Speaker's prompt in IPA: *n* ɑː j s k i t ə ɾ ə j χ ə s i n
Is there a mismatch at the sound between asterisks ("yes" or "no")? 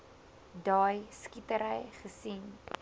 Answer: yes